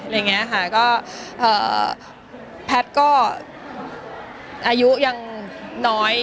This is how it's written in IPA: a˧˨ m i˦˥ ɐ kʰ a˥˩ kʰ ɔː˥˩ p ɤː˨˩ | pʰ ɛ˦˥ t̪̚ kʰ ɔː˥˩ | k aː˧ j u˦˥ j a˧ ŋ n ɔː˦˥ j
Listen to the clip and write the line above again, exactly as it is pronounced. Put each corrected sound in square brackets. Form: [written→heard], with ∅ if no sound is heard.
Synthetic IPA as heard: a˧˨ [m→ŋ] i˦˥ ɐ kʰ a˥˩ [kʰ→k] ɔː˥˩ [p→ʔ] ɤː˨˩ | pʰ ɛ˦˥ t̪̚ [kʰ→k] ɔː˥˩ | [k→ʔ] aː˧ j u˦˥ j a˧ ŋ n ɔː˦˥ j